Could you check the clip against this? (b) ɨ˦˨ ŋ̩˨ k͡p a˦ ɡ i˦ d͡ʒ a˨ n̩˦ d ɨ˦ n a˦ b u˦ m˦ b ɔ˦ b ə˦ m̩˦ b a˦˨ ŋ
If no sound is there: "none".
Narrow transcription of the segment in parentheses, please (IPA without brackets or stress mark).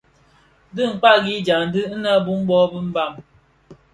d